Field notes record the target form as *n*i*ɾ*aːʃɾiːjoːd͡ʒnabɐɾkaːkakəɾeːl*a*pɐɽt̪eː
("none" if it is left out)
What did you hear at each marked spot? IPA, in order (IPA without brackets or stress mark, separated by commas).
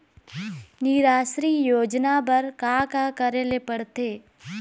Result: n, ɾ, e